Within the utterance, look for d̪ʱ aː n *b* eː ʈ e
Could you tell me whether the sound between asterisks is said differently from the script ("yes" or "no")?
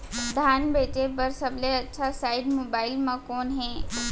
no